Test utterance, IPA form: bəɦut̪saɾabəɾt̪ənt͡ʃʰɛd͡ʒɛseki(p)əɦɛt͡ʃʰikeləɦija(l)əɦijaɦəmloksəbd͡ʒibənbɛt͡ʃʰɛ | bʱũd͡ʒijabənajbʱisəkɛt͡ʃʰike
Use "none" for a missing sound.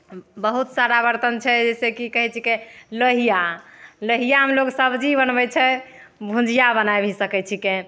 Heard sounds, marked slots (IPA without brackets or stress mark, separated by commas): k, l